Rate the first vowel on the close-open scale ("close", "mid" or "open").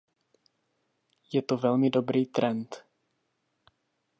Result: mid